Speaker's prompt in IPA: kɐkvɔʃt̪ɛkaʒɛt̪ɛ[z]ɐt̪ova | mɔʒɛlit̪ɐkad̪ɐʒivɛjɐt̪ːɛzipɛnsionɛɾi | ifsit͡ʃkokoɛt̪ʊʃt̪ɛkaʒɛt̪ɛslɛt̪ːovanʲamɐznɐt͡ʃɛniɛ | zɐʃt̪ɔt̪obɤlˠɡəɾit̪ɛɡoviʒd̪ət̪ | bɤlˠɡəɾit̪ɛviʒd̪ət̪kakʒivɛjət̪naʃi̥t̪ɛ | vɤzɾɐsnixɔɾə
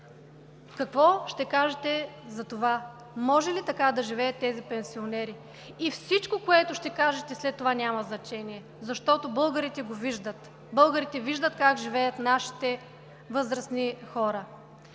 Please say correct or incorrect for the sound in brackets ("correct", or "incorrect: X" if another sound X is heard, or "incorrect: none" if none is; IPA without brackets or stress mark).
correct